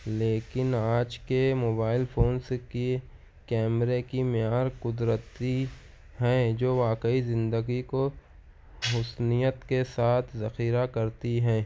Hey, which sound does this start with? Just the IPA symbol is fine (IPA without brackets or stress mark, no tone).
l